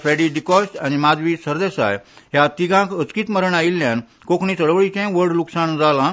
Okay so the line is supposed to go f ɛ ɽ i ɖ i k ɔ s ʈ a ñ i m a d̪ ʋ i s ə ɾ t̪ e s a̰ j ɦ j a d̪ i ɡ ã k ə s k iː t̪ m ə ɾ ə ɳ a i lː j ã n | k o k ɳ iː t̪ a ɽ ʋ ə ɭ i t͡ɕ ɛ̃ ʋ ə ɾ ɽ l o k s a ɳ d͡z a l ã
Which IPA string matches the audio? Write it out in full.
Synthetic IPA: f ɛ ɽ i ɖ i k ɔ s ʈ a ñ i m a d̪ ʋ i s ə ɾ d̪ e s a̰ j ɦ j a t̪ i ɡ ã k ə t͡s k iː t̪ m ə ɾ ə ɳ a i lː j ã n | k o k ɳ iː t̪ ə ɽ ʋ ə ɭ i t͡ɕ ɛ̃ ʋ ə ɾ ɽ l u k s a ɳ d͡z a l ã